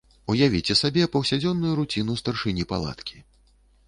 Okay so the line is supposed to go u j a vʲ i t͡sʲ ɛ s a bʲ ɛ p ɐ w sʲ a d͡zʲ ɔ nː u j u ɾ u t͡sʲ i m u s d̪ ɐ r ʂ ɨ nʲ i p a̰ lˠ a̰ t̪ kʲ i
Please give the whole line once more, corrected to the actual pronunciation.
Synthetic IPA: u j a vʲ i t͡sʲ ɛ s a bʲ ɛ p ɐ w sʲ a d͡zʲ ɔ nː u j u ɾ u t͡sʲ i n u s t̪ ɐ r ʂ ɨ nʲ i p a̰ lˠ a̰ t̪ kʲ i